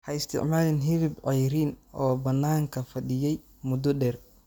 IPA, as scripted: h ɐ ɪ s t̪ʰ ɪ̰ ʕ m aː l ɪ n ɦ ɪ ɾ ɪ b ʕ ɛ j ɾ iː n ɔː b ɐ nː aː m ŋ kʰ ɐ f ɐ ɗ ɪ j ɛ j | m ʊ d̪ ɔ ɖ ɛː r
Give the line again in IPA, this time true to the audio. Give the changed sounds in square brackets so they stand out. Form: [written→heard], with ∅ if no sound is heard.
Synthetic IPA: h ɐ ɪ s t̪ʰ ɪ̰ ʕ m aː l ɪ n ɦ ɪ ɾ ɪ b ʕ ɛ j ɾ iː n ɔː b ɐ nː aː [m→∅] ŋ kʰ ɐ f ɐ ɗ ɪ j ɛ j | m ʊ d̪ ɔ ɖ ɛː r